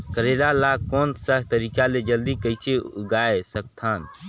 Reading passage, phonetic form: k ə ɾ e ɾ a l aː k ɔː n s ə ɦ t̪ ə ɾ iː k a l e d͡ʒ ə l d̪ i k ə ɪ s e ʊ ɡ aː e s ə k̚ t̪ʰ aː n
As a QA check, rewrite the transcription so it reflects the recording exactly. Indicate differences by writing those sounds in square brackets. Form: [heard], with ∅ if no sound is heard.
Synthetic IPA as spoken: k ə ɾ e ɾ a l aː k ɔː n s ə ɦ t̪ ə ɾ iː k a l e d͡ʒ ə l d̪ i k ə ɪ s e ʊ ɡ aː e s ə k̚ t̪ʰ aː n